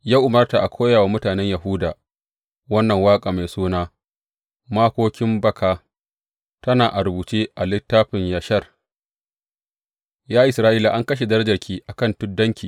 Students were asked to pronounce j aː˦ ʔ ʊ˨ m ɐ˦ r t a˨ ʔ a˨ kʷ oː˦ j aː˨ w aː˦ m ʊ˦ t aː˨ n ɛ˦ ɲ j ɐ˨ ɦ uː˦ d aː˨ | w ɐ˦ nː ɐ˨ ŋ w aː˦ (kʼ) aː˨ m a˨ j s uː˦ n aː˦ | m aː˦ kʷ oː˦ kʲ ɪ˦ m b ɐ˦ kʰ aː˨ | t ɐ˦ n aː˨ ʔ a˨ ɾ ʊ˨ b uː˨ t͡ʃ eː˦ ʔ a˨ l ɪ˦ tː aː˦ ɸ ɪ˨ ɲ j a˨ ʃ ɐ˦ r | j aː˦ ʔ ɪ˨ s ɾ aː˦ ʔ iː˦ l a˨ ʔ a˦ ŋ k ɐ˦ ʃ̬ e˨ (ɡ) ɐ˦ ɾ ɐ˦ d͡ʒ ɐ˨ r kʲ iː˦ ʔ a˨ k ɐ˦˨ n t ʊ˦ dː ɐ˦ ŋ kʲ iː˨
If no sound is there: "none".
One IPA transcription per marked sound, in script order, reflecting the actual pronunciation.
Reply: kʼ, d

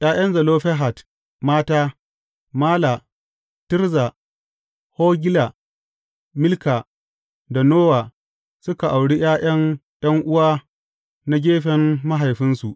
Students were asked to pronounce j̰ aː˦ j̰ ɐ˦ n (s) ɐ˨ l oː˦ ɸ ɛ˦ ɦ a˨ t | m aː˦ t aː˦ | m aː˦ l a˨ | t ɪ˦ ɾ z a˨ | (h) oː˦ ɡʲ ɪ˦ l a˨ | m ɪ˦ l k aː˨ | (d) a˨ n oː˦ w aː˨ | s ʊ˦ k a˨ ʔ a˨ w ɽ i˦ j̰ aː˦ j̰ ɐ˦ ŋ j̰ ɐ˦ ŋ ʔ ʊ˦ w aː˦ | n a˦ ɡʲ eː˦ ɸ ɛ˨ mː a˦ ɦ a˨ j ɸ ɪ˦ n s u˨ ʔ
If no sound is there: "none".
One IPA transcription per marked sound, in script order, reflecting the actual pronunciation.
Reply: z, h, d

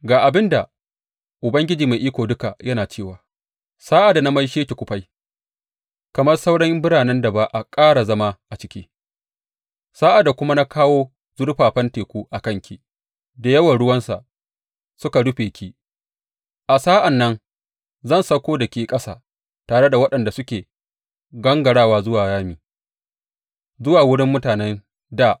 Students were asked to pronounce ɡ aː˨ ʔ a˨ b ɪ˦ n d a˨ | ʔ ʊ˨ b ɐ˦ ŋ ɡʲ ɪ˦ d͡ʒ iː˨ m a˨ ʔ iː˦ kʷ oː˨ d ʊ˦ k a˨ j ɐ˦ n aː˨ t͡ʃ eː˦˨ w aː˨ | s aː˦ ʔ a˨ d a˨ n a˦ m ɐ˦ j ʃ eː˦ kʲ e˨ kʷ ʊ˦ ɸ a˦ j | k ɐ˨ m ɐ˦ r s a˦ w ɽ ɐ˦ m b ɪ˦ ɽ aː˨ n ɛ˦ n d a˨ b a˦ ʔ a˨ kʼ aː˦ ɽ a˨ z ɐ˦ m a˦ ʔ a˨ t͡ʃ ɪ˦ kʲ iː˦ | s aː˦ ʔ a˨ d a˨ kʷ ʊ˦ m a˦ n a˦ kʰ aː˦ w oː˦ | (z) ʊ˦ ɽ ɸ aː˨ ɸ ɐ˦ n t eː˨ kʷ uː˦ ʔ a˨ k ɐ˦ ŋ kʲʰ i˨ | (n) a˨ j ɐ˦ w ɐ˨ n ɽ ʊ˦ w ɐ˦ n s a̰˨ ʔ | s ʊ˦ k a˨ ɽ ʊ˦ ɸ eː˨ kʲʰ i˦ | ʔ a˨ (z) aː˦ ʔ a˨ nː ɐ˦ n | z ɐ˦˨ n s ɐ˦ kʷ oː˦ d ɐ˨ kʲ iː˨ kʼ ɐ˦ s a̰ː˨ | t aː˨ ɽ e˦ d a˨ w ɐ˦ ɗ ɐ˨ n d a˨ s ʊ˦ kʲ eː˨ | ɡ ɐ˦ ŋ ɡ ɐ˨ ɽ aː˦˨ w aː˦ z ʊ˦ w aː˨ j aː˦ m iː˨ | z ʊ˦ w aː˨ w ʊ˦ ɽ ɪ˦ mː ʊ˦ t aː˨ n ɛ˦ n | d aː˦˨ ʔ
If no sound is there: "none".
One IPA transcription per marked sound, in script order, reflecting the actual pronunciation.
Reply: z, d, s

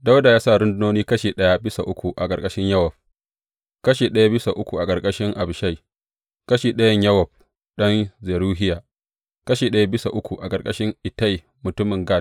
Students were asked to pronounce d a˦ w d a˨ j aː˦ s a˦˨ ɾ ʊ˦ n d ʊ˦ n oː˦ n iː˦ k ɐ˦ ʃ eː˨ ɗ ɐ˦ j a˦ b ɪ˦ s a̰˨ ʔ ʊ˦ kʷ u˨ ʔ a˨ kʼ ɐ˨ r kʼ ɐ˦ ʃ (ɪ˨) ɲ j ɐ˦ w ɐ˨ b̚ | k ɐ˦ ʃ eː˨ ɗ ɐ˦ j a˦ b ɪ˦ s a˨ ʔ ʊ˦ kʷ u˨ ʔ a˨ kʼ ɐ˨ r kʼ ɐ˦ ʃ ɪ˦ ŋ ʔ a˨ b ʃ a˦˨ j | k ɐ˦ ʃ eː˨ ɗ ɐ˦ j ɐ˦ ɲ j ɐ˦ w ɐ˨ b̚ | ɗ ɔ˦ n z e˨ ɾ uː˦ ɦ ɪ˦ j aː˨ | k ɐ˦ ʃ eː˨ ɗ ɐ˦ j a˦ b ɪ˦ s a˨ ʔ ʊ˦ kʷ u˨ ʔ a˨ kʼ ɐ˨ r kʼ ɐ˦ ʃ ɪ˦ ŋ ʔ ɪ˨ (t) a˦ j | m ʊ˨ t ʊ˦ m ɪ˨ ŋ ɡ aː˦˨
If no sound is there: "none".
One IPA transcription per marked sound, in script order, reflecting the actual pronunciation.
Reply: ɪ˦, t

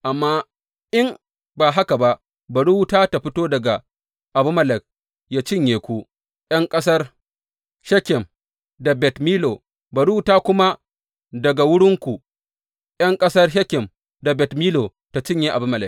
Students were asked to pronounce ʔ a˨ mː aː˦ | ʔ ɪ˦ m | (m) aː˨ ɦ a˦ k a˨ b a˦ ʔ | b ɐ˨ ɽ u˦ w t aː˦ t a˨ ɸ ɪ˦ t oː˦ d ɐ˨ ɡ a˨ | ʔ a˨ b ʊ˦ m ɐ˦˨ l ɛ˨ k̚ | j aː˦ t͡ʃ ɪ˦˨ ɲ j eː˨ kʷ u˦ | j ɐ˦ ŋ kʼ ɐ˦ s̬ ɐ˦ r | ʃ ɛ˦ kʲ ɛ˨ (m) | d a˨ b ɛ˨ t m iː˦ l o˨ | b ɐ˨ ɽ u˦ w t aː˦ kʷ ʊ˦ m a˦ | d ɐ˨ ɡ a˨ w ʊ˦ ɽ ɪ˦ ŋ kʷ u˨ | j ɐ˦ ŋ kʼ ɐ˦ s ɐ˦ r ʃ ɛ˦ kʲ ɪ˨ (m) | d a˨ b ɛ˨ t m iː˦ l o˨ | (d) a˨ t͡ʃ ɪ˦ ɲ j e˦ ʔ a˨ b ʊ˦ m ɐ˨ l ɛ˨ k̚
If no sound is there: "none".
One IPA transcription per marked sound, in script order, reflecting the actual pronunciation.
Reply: b, m, m, t

